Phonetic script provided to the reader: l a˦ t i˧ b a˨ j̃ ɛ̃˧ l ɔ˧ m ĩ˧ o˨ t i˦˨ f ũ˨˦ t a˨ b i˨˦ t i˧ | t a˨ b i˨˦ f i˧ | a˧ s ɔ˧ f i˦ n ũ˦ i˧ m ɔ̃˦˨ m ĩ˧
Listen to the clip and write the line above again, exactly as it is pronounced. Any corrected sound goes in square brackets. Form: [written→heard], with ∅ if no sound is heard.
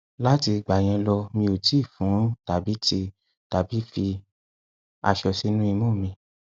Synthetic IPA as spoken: l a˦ t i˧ [b→ɡ͡b] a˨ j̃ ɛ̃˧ l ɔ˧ m ĩ˧ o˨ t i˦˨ f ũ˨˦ t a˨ b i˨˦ t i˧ | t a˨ b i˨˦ f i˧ | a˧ [s→ʃ] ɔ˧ [f→s] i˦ n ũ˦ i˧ m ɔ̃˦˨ m ĩ˧